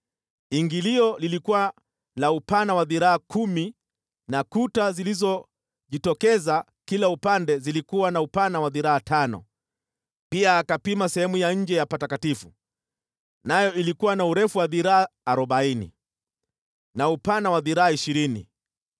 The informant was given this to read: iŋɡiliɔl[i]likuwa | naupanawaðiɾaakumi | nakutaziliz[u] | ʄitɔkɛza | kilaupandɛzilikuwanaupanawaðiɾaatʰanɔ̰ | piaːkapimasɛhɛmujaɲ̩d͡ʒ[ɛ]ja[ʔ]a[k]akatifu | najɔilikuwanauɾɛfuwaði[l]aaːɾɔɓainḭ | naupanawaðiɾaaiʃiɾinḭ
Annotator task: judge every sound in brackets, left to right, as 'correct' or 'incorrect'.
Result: correct, incorrect: ɔ, correct, incorrect: p, incorrect: t, incorrect: ɾ

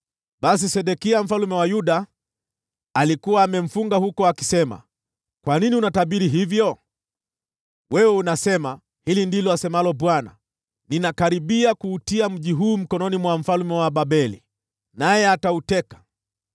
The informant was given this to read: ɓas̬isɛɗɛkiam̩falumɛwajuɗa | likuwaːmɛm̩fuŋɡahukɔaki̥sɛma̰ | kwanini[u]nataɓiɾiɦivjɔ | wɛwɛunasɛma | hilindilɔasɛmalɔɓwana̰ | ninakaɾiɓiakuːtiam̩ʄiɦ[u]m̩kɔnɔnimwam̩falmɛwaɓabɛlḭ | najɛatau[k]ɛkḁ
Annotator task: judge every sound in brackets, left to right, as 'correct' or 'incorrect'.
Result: correct, incorrect: uː, incorrect: t

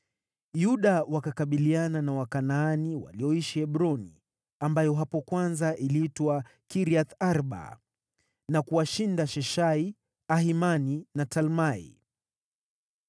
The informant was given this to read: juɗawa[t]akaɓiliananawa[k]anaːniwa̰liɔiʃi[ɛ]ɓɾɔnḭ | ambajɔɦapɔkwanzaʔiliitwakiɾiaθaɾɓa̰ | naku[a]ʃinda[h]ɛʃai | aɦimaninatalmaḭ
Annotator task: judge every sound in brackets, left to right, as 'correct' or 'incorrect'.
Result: incorrect: k, correct, correct, correct, incorrect: ʃ

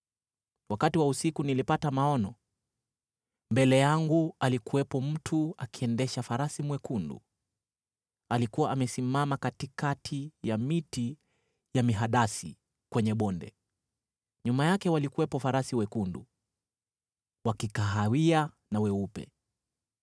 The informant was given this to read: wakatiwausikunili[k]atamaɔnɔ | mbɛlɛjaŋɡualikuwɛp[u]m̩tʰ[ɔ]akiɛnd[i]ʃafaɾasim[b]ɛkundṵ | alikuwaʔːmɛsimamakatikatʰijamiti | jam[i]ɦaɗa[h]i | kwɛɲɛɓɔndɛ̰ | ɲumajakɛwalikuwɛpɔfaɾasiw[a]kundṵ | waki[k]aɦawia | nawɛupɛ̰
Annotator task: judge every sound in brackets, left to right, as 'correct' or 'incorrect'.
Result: incorrect: p, incorrect: ɔ, incorrect: u, incorrect: ɛ, incorrect: w, correct, incorrect: s, incorrect: ɛ, correct

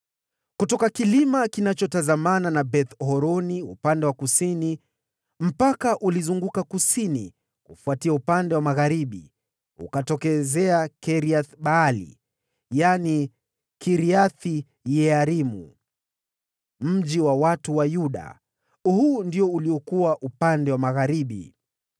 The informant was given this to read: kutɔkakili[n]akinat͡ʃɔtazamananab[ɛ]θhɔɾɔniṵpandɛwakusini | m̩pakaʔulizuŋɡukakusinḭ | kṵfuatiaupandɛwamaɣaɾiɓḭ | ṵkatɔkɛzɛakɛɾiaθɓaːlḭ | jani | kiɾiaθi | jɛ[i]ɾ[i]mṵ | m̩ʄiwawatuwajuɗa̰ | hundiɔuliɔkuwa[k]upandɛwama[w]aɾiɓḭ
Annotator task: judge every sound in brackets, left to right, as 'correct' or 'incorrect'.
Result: incorrect: m, correct, incorrect: a, correct, incorrect: ʔ, incorrect: ɣ

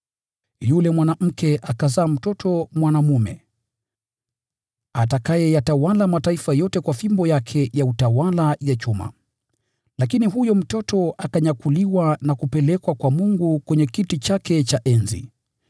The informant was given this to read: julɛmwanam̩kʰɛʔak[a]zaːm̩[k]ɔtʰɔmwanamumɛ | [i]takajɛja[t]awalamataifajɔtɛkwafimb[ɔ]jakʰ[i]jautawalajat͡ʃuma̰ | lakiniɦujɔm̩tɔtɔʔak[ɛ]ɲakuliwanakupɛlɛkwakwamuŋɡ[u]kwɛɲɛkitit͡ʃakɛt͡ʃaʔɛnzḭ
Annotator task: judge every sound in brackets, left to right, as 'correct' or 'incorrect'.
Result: correct, incorrect: t, incorrect: a, correct, correct, incorrect: ɛ, incorrect: a, correct

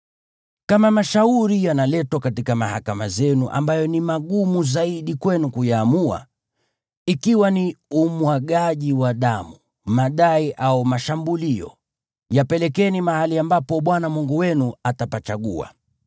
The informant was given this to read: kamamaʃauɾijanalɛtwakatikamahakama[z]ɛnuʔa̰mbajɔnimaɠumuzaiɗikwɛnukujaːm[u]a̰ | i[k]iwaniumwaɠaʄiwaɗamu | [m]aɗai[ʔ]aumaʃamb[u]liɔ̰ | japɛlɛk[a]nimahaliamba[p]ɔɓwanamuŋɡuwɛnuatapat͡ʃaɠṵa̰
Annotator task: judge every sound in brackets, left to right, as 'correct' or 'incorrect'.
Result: correct, correct, correct, correct, correct, correct, incorrect: ɛ, correct

